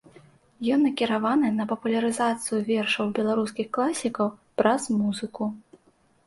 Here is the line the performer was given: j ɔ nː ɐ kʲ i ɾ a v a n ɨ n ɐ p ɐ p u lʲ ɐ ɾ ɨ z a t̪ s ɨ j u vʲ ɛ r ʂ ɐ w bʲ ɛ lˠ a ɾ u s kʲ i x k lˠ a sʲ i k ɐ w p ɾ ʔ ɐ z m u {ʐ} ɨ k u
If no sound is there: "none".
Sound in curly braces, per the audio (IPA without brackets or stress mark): z